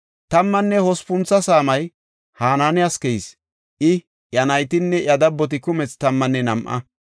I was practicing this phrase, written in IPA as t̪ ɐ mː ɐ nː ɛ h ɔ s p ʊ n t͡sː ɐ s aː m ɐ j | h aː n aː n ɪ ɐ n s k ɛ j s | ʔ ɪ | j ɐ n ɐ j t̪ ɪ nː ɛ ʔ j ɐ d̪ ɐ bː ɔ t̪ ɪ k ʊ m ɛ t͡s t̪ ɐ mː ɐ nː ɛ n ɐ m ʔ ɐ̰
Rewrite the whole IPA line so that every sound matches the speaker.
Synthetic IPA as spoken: t̪ ɐ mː ɐ nː ɛ h ɔ s p ʊ n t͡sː ɐ s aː m ɐ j | h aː n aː n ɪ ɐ s k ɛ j s | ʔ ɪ | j ɐ n ɐ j t̪ ɪ nː ɛ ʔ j ɐ d̪ ɐ bː ɔ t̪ ɪ k ʊ m ɛ t͡s t̪ ɐ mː ɐ nː ɛ n ɐ m ʔ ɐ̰